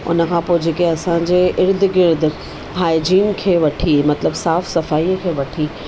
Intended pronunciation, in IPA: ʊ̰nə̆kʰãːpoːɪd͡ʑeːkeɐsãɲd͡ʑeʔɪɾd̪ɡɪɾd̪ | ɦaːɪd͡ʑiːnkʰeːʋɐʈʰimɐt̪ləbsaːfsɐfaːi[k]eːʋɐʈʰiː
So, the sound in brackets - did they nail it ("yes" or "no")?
no